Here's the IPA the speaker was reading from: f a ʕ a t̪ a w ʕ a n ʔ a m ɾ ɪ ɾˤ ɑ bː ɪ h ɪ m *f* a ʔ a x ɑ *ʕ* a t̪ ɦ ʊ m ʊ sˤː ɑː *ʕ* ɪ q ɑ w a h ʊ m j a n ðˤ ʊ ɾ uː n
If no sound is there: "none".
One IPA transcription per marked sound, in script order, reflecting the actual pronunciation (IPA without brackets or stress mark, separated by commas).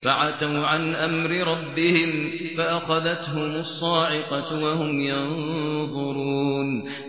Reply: f, ð, ʕ